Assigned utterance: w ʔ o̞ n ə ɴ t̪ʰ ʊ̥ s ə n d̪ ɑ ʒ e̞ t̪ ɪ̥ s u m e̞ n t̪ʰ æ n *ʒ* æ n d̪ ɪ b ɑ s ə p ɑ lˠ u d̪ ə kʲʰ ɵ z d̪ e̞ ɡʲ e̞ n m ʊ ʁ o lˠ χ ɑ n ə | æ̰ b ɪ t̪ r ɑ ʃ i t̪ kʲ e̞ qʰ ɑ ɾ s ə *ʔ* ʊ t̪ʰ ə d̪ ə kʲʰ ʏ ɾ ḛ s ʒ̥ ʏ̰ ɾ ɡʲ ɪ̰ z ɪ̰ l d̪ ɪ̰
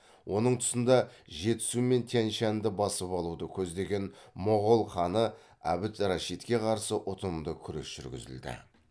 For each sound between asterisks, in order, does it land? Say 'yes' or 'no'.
no, yes

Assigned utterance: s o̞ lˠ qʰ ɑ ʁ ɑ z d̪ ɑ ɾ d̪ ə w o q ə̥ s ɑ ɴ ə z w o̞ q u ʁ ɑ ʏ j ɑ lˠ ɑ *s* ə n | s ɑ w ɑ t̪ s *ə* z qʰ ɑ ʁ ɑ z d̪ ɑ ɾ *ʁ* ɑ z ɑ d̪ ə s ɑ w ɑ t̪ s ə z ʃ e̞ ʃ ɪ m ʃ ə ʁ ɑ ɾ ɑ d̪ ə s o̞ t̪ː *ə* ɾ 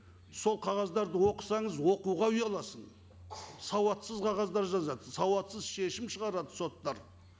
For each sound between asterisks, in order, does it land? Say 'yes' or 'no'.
yes, yes, no, no

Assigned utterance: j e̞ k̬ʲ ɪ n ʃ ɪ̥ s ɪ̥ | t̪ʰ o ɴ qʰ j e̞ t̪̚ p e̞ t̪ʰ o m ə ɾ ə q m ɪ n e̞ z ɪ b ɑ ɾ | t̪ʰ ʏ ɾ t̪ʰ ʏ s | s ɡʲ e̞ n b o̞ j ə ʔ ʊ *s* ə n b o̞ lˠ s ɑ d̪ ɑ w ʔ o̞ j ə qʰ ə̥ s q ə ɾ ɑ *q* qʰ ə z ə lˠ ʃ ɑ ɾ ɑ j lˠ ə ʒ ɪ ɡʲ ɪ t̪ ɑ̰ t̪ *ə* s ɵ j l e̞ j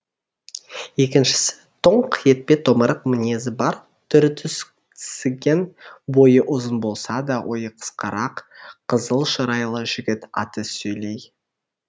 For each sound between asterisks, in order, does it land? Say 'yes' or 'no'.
no, yes, yes

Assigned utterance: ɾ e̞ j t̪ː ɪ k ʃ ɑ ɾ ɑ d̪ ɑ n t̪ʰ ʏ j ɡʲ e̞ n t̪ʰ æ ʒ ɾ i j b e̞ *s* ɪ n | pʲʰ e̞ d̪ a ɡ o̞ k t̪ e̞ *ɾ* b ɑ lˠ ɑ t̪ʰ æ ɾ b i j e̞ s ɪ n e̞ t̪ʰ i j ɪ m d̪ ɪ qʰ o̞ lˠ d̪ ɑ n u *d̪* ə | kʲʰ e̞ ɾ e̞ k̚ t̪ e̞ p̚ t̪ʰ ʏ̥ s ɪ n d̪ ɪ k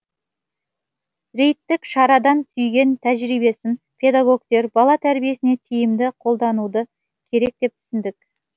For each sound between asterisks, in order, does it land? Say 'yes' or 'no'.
yes, yes, yes

